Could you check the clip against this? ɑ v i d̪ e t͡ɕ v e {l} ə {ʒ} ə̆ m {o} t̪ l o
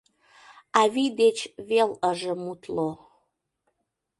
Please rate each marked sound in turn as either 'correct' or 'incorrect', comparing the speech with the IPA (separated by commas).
correct, correct, incorrect